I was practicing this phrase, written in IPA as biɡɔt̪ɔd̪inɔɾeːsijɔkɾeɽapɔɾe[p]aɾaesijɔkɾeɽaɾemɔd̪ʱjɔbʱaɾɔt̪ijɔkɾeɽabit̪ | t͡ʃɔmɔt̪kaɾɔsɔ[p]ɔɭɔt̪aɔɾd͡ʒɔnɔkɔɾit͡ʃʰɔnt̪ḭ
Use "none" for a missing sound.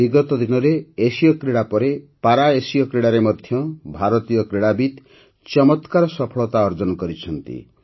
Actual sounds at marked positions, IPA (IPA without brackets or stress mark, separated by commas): p, pʰ